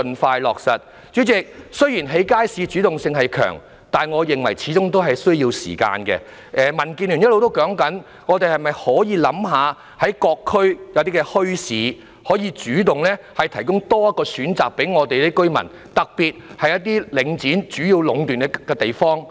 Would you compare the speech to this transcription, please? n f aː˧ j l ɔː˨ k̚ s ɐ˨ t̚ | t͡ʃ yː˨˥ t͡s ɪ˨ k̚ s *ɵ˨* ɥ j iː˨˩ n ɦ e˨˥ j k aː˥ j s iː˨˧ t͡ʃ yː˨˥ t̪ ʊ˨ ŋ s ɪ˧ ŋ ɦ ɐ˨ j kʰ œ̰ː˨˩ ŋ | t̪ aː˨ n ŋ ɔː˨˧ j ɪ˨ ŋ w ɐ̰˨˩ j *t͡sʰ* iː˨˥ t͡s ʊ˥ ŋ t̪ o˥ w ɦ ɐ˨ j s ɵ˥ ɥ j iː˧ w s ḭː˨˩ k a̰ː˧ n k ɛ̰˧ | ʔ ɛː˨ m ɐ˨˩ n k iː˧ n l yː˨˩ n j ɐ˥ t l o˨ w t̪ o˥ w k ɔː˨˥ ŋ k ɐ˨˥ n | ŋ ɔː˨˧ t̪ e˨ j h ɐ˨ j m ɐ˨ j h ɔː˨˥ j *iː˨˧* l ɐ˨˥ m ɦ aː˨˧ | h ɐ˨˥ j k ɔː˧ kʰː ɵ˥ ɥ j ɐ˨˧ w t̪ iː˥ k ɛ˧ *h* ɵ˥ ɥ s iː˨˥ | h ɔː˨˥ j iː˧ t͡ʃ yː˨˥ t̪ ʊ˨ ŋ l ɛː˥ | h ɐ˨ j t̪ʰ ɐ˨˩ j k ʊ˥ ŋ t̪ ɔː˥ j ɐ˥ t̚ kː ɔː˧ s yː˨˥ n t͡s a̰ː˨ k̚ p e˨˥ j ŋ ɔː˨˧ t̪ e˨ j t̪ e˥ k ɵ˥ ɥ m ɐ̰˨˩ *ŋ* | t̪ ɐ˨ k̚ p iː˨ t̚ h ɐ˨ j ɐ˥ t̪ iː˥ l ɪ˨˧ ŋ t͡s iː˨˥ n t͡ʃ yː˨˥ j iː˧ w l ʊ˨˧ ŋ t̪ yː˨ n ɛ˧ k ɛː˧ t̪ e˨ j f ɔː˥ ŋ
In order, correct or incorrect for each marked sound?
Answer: incorrect: ɵ˥, correct, correct, correct, incorrect: n

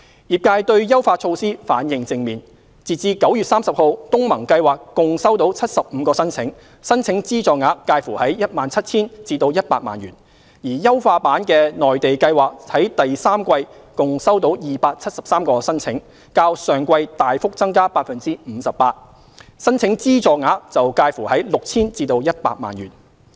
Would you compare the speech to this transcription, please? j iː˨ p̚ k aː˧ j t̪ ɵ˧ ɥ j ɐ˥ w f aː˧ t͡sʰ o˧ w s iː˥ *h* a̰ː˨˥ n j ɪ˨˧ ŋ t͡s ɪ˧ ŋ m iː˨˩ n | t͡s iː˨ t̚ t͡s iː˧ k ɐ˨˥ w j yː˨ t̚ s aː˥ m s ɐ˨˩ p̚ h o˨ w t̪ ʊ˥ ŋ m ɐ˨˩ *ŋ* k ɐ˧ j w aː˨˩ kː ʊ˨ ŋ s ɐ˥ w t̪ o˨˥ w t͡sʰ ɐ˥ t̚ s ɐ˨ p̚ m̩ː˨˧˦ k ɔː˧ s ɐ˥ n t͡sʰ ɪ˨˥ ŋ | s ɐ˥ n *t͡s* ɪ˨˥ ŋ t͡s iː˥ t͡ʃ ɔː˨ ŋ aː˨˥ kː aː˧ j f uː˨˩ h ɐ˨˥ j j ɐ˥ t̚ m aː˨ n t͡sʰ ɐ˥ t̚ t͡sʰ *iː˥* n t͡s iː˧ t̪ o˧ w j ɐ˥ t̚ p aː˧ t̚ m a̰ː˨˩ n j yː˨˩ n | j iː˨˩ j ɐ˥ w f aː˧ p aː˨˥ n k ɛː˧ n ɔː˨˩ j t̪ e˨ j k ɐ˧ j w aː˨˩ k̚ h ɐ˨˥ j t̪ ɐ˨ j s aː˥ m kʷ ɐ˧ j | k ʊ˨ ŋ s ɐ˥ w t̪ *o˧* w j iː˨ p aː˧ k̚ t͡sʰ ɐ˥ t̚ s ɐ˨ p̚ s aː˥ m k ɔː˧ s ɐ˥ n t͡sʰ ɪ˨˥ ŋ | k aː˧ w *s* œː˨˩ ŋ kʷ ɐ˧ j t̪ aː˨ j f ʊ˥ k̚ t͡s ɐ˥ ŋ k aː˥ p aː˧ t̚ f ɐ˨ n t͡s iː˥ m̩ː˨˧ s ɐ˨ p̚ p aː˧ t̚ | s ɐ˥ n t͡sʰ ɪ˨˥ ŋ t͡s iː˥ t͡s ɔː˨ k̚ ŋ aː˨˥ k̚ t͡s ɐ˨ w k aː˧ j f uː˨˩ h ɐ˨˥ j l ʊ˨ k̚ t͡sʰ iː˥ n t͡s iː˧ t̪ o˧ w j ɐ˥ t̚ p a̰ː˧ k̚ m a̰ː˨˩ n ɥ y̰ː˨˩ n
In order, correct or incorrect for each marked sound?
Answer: incorrect: f, correct, incorrect: t͡sʰ, correct, incorrect: o˨˥, correct

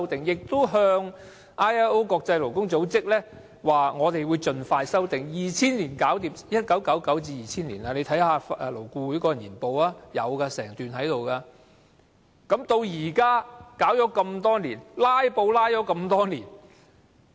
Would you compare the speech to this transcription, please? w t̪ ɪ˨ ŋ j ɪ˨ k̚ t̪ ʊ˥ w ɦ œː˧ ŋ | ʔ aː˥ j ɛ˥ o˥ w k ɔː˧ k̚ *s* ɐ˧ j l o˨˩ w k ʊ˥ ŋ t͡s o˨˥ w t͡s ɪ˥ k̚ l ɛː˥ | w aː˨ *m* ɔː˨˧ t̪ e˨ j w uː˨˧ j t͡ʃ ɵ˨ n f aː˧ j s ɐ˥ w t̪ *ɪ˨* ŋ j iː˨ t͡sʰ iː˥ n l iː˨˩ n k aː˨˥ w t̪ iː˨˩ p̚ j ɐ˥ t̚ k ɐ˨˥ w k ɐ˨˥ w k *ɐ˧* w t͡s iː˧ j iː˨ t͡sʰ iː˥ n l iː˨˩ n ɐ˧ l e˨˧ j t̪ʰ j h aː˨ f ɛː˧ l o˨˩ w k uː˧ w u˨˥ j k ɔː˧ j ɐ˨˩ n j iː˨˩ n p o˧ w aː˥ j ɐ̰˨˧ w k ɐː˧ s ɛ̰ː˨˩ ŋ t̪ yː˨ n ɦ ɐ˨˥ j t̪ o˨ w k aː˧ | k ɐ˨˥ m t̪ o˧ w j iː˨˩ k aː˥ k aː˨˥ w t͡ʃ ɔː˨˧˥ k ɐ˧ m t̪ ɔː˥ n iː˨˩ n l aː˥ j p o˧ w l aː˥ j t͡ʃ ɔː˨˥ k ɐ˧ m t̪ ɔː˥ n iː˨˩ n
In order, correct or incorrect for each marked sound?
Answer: incorrect: t͡s, incorrect: ŋ, correct, incorrect: ɐ˨˥

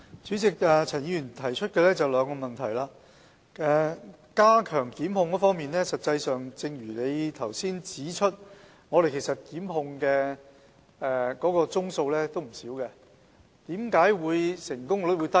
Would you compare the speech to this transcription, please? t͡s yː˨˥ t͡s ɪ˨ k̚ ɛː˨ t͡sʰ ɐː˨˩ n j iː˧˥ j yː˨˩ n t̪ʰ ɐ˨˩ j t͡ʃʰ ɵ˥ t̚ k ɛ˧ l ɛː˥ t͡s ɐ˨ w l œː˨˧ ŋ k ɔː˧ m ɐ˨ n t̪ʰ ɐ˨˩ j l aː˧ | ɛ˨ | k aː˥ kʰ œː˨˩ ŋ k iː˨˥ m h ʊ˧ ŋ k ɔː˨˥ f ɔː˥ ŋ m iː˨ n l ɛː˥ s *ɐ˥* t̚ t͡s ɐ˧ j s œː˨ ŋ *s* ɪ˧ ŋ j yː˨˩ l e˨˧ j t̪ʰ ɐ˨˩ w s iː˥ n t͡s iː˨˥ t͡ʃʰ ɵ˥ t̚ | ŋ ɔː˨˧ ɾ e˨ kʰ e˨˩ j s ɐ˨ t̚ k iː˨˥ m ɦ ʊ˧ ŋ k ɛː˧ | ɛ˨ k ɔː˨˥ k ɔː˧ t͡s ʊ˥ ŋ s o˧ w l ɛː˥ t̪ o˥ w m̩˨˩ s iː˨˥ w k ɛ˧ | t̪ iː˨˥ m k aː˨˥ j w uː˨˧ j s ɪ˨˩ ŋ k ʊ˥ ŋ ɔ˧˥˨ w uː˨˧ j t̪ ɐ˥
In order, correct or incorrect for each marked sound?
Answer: incorrect: ɐ˨, incorrect: t͡s

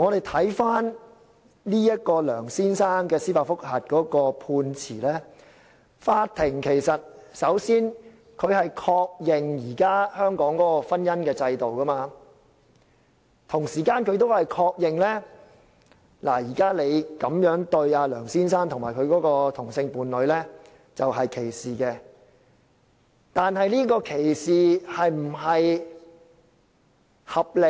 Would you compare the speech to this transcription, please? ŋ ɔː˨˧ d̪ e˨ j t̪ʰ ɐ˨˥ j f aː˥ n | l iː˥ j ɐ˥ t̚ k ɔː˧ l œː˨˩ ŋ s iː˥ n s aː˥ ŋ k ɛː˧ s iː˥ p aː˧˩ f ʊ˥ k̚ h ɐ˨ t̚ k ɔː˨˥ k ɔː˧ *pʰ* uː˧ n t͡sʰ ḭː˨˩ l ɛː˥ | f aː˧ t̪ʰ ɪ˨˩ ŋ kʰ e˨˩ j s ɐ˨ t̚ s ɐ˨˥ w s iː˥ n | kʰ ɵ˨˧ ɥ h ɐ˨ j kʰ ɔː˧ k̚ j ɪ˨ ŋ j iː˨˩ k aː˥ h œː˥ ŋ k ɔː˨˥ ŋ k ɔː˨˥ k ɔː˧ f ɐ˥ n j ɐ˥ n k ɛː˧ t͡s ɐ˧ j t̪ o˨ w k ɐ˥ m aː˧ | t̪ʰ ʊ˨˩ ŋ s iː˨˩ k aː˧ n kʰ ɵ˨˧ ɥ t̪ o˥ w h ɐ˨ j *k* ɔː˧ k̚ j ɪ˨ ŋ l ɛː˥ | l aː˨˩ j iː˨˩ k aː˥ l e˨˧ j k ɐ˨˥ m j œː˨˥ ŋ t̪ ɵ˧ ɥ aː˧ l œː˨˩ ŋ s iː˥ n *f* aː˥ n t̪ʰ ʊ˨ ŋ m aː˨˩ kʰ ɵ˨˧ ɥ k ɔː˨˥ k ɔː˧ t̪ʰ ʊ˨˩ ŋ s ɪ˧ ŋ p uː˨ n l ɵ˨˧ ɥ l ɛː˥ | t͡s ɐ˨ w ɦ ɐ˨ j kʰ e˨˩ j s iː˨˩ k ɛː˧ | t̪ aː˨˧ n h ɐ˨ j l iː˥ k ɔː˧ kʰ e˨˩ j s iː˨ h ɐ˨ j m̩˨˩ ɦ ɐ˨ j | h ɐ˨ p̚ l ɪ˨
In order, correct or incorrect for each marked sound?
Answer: correct, incorrect: kʰ, incorrect: s

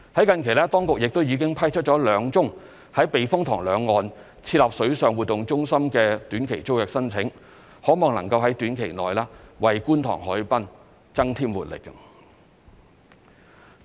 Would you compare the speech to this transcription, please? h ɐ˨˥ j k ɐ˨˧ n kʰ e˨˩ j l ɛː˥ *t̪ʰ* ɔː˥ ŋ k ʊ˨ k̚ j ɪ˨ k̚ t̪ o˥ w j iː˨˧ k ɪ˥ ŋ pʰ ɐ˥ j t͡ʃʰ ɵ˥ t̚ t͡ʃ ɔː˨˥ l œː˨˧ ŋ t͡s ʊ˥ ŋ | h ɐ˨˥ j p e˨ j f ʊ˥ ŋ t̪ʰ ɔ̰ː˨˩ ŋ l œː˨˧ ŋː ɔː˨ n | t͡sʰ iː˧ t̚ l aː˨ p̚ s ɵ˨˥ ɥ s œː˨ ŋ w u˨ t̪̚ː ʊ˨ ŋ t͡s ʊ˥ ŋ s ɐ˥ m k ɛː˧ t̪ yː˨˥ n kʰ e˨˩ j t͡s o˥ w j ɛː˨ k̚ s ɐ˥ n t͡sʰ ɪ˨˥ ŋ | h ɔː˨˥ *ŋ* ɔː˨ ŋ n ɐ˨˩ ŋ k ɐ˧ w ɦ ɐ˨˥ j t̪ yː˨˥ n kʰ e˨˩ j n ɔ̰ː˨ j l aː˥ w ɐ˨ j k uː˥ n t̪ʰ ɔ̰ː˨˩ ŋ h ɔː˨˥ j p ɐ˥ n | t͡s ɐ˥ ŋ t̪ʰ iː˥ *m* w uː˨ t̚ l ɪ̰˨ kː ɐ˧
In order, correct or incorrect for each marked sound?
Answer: incorrect: t̪, incorrect: m, correct

